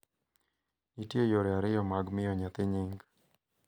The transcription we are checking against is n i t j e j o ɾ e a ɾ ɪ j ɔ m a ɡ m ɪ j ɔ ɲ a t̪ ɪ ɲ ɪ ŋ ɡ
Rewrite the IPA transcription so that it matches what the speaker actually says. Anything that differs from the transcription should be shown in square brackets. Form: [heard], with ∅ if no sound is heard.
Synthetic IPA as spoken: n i t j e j o ɾ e a ɾ ɪ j ɔ m a ɡ m ɪ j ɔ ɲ a t̪ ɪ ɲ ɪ ŋ ɡ

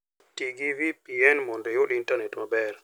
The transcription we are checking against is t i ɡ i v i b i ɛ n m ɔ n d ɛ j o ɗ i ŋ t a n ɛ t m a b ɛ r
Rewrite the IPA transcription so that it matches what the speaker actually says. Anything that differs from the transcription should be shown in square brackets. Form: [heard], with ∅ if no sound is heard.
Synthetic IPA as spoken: t i ɡ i v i [p] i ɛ n m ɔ n d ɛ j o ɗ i [n] t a n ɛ t m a b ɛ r

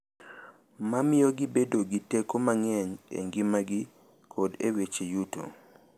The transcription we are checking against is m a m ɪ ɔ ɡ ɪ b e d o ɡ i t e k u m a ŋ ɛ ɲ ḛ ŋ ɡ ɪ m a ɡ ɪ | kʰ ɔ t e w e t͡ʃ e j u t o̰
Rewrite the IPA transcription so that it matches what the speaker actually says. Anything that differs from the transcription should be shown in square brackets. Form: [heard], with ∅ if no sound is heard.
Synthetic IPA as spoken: m a m ɪ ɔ ɡ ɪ b e d o ɡ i t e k [o] m a ŋ ɛ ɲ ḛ ŋ ɡ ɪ m a ɡ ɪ | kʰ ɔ [d] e w e t͡ʃ e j u t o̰

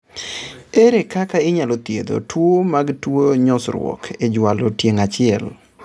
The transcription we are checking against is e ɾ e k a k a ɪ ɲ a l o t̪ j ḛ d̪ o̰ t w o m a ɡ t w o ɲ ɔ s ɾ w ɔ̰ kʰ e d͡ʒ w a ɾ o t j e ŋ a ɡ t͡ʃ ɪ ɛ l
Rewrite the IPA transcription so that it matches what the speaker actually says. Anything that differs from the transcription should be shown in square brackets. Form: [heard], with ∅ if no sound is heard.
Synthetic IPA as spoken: e ɾ e k a k a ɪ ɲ a l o t̪ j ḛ d̪ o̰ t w o m a ɡ t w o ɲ ɔ s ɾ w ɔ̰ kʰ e d͡ʒ w a [l] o t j e ŋ a [∅] t͡ʃ ɪ ɛ l

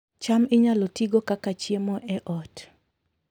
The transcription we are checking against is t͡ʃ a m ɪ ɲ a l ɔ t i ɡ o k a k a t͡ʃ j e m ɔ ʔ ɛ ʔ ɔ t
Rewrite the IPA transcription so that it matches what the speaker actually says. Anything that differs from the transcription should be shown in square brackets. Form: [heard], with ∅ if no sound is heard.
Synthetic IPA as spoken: t͡ʃ a m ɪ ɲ a l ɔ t i ɡ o k a k a t͡ʃ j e m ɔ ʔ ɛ ʔ ɔ t

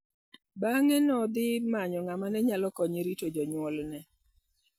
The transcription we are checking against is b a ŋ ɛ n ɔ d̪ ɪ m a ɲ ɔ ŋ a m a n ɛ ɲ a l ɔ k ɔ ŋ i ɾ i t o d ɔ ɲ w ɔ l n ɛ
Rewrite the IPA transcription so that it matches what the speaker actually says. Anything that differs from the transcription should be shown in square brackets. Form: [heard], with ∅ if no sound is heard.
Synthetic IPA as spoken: b a ŋ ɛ n ɔ d̪ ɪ m a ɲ ɔ ŋ a m a n ɛ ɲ a l ɔ k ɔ [ɲ] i ɾ i t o [d͡ʒ] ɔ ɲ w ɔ l n ɛ

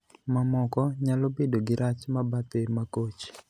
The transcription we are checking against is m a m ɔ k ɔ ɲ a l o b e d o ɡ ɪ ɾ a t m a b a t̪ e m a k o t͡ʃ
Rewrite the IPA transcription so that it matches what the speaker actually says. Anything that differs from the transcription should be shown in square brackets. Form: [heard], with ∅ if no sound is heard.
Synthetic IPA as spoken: m a m ɔ k ɔ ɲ a l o b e d o ɡ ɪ ɾ a [t͡ʃ] m a b a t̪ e m a k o t͡ʃ

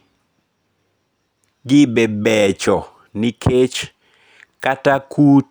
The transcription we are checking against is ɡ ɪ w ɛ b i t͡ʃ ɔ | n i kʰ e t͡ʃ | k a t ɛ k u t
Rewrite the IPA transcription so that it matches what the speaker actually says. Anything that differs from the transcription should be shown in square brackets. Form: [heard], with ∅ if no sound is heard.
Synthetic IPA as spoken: ɡ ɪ [b] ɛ b [ɛ] t͡ʃ ɔ | n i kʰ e t͡ʃ | k a t [a] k u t

